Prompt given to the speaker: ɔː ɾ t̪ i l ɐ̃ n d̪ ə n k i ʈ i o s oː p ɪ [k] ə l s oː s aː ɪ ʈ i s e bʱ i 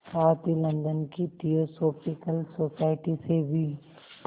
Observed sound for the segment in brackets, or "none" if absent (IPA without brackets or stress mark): k